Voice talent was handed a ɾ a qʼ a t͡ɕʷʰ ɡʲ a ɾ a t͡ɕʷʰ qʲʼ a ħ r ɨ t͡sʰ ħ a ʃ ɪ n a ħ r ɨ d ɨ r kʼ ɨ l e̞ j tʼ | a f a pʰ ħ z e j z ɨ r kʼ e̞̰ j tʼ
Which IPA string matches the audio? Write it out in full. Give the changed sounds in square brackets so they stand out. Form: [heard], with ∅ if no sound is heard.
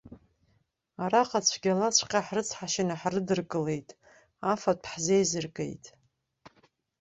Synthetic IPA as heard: a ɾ a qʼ a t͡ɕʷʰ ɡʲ a [l] a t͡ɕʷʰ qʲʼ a ħ r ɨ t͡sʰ ħ a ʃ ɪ n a ħ r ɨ d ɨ r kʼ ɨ l e̞ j tʼ | a f a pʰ ħ z e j z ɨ r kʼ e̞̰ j tʼ